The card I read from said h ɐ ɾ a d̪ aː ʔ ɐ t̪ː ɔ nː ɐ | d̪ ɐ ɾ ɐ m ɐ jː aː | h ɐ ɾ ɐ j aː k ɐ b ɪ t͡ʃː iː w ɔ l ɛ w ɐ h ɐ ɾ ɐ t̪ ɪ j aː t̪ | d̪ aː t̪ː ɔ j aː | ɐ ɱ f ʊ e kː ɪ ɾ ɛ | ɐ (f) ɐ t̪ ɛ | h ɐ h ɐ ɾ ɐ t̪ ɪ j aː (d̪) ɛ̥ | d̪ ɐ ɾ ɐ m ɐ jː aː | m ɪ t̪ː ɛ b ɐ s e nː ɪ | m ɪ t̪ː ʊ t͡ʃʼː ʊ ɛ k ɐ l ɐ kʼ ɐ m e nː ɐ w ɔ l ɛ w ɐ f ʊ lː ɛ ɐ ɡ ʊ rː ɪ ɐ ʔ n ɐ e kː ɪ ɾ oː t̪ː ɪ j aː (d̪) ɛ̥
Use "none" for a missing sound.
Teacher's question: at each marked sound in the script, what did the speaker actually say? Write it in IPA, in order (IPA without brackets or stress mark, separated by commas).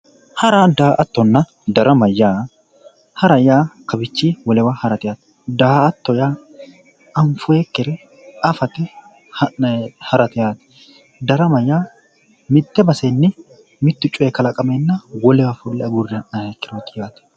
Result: f, t̪, t̪